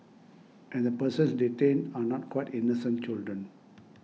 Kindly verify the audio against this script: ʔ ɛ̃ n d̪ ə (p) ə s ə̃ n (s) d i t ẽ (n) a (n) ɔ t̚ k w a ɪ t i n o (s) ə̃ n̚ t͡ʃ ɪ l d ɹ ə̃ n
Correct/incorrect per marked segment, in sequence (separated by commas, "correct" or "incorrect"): correct, correct, correct, correct, correct